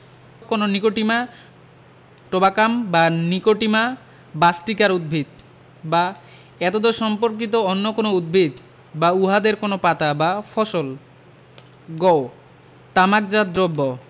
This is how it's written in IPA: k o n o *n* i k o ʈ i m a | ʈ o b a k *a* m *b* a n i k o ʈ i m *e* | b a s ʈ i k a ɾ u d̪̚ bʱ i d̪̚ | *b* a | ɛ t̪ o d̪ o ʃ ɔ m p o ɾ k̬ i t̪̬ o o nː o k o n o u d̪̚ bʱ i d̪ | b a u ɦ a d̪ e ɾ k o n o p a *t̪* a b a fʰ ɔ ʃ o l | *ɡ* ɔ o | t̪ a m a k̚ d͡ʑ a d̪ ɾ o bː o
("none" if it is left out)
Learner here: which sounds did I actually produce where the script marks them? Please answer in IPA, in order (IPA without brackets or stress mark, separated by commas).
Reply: n, a, b, a, b, t̪, ɡ